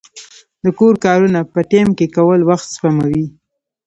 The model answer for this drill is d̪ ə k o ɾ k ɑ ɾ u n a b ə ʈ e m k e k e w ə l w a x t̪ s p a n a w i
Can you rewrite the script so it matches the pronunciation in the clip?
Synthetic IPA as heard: d̪ ə k o ɾ k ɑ ɾ u n a p ə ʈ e m k e k a w ə l w a x t̪ s p a m a w i